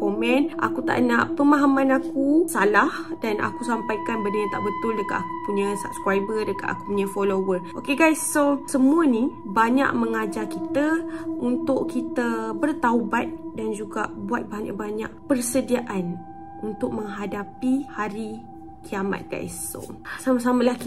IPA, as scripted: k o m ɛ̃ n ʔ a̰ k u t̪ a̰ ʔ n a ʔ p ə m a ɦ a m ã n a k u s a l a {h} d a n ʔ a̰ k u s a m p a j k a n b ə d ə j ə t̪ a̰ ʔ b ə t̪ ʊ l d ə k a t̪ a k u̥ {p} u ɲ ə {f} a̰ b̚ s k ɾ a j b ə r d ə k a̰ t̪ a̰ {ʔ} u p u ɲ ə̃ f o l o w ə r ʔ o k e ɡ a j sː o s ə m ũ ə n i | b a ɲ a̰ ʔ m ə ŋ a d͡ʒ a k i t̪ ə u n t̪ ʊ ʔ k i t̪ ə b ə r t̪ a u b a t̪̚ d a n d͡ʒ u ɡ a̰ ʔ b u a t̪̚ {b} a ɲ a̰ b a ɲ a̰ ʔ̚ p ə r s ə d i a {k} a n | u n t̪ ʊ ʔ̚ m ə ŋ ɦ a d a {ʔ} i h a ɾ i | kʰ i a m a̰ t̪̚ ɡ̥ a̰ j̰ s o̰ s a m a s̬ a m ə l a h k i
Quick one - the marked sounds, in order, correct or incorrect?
correct, correct, incorrect, incorrect, correct, incorrect, incorrect

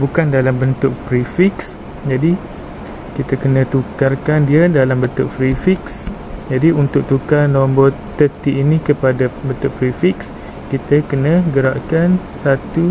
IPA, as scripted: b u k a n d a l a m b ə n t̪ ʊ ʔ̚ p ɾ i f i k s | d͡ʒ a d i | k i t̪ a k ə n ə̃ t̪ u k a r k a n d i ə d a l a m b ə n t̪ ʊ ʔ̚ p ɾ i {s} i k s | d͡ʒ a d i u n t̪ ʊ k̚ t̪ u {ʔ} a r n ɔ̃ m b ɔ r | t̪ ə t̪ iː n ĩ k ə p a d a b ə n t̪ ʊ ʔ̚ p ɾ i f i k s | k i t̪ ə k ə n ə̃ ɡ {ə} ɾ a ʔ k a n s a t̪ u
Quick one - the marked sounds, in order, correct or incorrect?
incorrect, incorrect, correct

